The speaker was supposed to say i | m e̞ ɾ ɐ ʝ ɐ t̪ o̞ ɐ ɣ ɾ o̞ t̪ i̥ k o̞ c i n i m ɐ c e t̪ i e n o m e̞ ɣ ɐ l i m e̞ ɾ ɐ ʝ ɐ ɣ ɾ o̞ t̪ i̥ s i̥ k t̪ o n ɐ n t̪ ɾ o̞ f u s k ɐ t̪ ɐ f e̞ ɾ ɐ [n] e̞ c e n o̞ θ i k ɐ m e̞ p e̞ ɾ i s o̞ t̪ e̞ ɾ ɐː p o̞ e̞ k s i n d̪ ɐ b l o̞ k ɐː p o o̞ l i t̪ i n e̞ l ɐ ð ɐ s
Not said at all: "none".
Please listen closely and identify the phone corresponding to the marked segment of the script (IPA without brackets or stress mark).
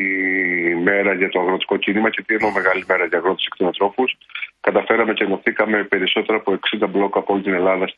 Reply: m